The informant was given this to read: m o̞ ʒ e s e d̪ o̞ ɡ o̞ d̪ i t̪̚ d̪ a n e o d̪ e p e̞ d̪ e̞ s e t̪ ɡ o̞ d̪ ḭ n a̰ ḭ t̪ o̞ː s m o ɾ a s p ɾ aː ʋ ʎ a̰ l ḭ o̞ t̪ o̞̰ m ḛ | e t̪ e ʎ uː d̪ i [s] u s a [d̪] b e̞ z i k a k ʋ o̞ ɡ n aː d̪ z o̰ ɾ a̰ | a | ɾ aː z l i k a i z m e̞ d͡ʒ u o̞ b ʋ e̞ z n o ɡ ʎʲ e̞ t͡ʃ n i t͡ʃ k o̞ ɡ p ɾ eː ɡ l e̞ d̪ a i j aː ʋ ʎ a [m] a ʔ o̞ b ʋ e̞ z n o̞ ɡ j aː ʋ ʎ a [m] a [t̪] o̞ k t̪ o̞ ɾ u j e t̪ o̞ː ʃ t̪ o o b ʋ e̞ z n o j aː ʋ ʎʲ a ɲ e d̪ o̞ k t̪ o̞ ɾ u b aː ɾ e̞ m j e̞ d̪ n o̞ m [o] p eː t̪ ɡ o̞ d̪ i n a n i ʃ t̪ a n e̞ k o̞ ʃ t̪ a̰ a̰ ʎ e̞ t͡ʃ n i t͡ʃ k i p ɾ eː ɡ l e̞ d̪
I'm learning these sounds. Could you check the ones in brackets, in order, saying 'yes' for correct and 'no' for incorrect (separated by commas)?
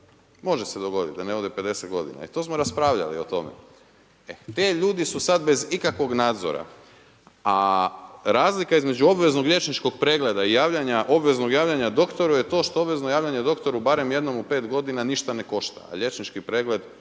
yes, yes, no, no, no, no